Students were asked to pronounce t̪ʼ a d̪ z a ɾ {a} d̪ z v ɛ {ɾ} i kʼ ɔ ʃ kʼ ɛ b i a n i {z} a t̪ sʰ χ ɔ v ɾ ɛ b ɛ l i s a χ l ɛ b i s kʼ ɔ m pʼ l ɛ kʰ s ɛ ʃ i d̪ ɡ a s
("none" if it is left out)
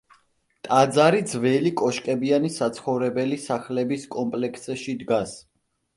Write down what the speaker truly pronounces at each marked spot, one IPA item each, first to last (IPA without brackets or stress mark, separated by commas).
i, l, s